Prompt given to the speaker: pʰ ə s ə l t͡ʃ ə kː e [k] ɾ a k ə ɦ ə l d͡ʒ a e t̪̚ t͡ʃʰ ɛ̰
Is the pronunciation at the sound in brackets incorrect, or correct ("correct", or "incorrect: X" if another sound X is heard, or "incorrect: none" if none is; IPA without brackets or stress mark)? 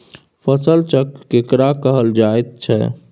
correct